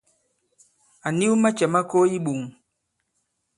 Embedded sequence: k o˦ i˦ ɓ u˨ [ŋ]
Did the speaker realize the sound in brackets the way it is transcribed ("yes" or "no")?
yes